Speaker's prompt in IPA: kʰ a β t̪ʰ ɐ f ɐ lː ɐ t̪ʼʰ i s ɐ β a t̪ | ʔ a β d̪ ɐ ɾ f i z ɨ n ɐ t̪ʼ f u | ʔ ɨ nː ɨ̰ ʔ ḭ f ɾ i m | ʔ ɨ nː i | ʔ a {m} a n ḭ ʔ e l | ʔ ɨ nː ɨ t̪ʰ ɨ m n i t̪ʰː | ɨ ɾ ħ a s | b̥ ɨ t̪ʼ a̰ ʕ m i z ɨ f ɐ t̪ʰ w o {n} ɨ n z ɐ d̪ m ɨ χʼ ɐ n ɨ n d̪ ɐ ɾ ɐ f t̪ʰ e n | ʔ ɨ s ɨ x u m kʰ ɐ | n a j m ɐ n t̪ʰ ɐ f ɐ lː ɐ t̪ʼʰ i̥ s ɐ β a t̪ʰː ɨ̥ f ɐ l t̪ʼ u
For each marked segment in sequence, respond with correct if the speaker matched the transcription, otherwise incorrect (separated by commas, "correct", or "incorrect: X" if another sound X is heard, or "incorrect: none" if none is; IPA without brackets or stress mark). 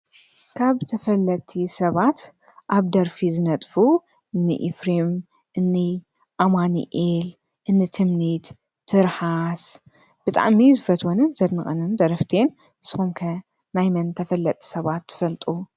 correct, correct